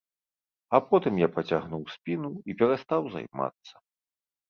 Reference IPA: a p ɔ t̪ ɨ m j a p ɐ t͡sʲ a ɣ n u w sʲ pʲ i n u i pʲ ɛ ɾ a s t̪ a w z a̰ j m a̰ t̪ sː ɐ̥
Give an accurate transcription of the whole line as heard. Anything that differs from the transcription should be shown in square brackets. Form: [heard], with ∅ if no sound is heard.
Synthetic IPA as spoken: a p ɔ t̪ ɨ m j a p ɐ t͡sʲ a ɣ n u w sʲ pʲ i n u i pʲ ɛ ɾ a s t̪ a w z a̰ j m a̰ t̪ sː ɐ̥